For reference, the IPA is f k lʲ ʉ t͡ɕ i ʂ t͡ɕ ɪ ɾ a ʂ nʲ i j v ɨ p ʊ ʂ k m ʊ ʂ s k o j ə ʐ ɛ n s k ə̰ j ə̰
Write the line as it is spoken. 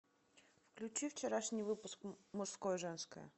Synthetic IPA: f k lʲ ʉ t͡ɕ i f t͡ɕ ɪ ɾ a ʂ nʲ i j v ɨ p ʊ s k m ʊ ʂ s k o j ə ʐ ɛ n s k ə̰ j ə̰